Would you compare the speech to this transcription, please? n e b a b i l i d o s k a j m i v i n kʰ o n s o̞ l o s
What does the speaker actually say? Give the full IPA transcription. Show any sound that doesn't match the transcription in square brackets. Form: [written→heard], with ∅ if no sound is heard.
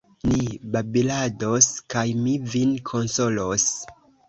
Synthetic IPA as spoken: n [e→i] b a b i l [i→a] d o s k a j m i v i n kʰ o n s o̞ l o s